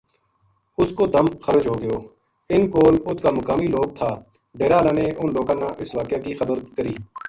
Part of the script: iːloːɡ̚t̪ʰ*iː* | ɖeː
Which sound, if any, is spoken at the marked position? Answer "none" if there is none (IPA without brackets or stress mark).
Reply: aː